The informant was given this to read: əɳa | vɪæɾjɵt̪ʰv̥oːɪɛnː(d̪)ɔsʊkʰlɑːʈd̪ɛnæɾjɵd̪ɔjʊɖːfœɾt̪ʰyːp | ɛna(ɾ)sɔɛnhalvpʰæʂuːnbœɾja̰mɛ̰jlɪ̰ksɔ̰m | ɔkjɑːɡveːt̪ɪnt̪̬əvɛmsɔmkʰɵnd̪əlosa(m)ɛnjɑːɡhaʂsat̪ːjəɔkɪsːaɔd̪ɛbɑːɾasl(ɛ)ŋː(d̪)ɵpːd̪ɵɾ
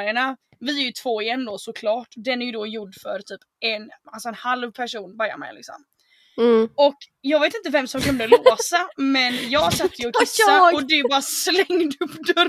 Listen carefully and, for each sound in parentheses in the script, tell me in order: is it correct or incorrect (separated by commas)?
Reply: correct, incorrect, correct, correct, correct